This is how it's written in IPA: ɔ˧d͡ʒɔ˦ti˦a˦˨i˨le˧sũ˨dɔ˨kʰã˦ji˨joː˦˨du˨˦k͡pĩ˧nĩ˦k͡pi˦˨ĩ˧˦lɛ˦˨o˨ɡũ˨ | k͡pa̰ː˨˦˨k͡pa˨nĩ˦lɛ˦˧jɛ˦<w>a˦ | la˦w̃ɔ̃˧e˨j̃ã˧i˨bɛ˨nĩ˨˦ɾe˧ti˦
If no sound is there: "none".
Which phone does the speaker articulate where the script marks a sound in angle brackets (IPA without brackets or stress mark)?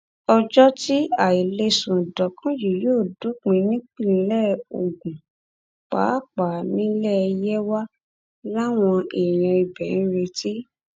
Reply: w